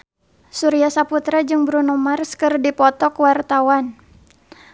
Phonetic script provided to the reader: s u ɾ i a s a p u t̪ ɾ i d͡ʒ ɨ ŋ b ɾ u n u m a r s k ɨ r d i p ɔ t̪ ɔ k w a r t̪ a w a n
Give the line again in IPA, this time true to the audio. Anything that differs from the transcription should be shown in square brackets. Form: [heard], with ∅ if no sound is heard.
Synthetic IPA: s u ɾ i a s a p u t̪ ɾ [a] d͡ʒ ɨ ŋ b ɾ u n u m a r s k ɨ r d i p ɔ t̪ ɔ k w a r t̪ a w a n